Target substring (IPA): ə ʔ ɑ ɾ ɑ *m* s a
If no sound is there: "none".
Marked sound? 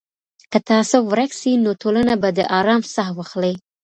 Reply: m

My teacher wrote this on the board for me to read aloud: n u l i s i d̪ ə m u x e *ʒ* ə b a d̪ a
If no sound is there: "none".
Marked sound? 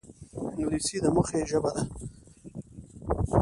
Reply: ʒ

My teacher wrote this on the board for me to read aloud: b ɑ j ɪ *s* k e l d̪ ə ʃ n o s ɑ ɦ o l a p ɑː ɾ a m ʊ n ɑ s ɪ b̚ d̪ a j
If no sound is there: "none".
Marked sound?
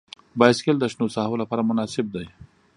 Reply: s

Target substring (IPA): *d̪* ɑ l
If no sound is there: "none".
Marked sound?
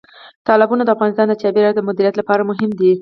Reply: t̪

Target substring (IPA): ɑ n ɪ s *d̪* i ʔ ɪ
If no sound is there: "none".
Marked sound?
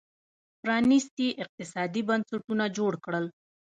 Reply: t̪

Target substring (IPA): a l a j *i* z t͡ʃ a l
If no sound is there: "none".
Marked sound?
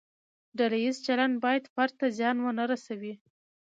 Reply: i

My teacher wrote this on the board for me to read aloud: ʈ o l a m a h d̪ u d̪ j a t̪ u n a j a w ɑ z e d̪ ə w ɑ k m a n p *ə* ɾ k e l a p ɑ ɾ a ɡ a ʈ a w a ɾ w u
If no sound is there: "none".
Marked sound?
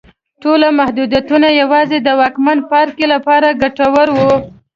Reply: ɑ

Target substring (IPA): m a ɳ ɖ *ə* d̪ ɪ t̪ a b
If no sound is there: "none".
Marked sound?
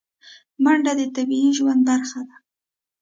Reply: a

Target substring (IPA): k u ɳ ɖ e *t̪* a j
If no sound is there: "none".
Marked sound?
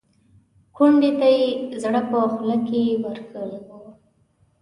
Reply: t̪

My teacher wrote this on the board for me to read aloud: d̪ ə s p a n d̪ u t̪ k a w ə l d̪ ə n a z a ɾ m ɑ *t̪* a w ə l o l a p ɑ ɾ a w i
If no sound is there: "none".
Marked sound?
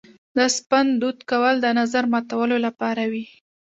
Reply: t̪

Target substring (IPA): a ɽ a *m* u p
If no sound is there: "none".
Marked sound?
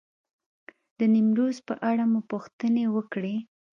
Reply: m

